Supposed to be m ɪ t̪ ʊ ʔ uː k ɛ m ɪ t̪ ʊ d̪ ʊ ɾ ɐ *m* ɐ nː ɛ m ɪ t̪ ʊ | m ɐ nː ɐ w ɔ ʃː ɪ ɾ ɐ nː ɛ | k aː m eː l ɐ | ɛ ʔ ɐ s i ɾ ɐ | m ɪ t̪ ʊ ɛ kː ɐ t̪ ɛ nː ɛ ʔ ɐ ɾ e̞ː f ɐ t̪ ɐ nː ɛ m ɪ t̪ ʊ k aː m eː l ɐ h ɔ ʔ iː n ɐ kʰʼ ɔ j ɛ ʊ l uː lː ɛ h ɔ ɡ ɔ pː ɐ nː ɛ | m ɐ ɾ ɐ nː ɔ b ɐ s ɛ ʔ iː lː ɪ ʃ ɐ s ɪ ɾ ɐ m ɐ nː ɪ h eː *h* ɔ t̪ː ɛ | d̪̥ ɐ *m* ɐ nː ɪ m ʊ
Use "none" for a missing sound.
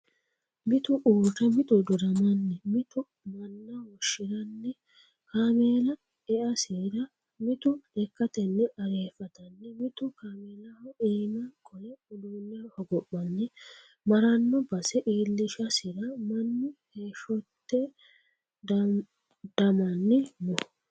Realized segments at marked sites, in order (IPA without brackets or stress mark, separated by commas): m, ʃ, m